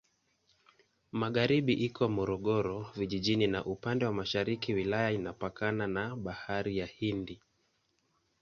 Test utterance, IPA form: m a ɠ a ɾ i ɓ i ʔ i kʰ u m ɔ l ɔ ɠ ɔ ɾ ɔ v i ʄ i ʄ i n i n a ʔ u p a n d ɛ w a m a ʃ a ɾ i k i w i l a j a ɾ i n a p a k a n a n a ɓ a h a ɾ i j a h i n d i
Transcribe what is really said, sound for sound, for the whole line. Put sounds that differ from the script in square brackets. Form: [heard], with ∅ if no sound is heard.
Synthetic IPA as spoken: m a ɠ a ɾ i ɓ i ʔ i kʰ [ɔ] m ɔ [ɾ] ɔ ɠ ɔ ɾ ɔ v i ʄ i ʄ i n i n a ʔ u p a n d ɛ w a m a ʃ a ɾ i k i w i l a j a [∅] i n a p a k a n a n a ɓ a h a ɾ i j a h i n d i